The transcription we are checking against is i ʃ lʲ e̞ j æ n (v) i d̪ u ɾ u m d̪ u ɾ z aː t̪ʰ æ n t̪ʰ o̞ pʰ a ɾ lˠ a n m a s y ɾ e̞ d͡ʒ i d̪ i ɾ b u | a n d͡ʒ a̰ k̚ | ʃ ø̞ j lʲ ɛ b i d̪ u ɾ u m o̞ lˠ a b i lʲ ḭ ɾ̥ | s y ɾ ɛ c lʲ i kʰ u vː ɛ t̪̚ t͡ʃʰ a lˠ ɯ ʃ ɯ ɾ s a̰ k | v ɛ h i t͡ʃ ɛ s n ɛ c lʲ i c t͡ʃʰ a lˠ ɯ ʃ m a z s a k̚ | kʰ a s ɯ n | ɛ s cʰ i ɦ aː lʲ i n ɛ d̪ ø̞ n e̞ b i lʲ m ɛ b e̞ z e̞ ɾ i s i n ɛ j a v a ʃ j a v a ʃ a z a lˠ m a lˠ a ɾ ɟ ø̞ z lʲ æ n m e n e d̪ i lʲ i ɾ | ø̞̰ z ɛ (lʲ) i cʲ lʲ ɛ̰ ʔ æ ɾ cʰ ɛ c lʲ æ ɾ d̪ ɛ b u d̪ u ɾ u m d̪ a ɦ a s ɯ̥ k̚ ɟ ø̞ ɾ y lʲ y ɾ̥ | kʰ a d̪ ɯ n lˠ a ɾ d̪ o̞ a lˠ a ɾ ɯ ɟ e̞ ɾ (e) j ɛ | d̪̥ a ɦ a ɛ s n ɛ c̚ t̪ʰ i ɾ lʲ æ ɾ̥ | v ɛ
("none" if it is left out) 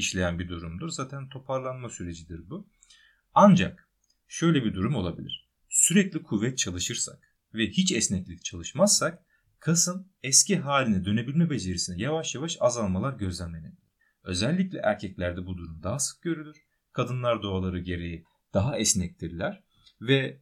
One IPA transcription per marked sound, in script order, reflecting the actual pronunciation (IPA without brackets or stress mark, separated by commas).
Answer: b, lʲː, e